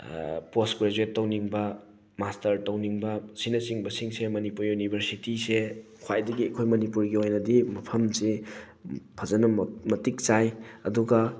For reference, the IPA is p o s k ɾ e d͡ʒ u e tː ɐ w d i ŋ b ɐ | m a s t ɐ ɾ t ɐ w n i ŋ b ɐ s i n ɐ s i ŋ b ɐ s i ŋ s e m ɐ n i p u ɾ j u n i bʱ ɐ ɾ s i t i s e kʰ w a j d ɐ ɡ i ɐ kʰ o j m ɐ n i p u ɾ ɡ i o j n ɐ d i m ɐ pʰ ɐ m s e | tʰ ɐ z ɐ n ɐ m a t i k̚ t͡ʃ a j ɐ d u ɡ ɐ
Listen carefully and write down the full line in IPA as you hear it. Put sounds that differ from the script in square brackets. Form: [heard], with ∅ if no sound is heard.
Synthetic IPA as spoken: p o s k ɾ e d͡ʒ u e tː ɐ w [n] i ŋ b ɐ | m a s t ɐ ɾ t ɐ w n i ŋ b ɐ s i n ɐ s i ŋ b ɐ s i ŋ s e m ɐ n i p u ɾ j u n i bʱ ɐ ɾ s i t i s e kʰ w a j d ɐ ɡ i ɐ kʰ o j m ɐ n i p u ɾ ɡ i o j n ɐ d i m ɐ pʰ ɐ m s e | [pʰ] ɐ z ɐ n ɐ m [ɐ] t i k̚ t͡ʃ a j ɐ d u ɡ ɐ

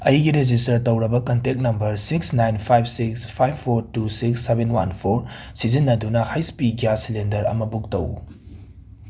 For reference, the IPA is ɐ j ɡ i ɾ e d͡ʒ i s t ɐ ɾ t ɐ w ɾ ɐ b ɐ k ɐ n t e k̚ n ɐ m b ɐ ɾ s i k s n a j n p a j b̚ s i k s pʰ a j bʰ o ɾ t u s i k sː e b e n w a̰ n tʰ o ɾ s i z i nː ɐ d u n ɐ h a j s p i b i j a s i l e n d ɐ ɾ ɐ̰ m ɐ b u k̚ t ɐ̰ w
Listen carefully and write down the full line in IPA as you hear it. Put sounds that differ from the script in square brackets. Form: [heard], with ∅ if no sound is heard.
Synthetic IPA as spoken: ɐ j ɡ i ɾ e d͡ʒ i s t ɐ ɾ t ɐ w ɾ ɐ b ɐ k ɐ n t e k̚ n ɐ m b ɐ ɾ s i k s n a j n [pʰ] a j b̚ s i k s pʰ a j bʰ o ɾ t u s i k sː e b e n w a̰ n [pʰ] o ɾ s i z i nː ɐ d u n ɐ h a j s p i [ɡ] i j a s i l e n d ɐ ɾ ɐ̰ m ɐ b u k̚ t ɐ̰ w

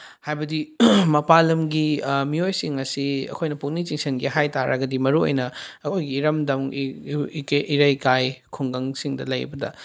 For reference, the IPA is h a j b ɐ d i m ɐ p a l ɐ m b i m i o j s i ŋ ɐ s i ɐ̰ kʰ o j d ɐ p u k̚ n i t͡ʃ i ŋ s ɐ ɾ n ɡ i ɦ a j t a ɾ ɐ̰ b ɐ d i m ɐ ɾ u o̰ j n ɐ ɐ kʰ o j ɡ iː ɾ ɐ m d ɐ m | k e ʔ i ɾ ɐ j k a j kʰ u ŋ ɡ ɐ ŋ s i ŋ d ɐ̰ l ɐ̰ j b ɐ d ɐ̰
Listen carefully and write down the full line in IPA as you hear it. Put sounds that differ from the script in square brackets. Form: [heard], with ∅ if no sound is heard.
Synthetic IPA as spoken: h a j b ɐ d i m ɐ p a l ɐ m [ɡ] i m i o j s i ŋ ɐ s i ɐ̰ kʰ o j [n] ɐ p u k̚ n i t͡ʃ i ŋ s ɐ [∅] n ɡ i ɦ a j t a ɾ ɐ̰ [ɡ] ɐ d i m ɐ ɾ u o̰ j n ɐ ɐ kʰ o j ɡ iː ɾ ɐ m d ɐ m | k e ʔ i ɾ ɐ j k a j kʰ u ŋ ɡ ɐ ŋ s i ŋ d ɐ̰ l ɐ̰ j b ɐ d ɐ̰

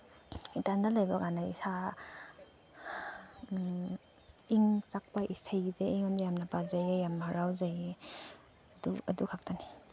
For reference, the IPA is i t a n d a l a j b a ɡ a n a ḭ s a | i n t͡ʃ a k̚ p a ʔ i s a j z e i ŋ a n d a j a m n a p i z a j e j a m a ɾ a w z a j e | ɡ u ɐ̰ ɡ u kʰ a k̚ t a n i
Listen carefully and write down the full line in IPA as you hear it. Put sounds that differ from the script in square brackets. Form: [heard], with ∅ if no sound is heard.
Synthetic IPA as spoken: i t a n d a l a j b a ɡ a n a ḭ s a | i [ŋ] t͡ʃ a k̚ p a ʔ i s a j z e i ŋ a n d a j a m n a p [a] z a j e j a m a ɾ a w z a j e | [d] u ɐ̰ [d] u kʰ a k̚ t a n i

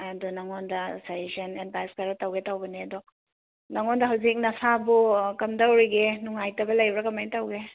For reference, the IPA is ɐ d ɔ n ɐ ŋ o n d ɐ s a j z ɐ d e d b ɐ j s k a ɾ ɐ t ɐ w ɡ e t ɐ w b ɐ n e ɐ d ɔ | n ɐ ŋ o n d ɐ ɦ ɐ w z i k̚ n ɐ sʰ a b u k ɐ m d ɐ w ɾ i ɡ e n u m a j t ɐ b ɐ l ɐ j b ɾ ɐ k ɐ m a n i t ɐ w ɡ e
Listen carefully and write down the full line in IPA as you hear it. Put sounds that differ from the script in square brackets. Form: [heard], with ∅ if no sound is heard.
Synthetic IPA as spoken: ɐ d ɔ n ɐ ŋ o n d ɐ s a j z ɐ [n] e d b [a] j s k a ɾ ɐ t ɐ w ɡ e t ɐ w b ɐ n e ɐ d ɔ | n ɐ ŋ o n d ɐ ɦ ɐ w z i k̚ n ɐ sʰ a b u k ɐ m d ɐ w ɾ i ɡ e n u [ŋ] a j t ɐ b ɐ l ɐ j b ɾ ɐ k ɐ m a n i t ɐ w ɡ e

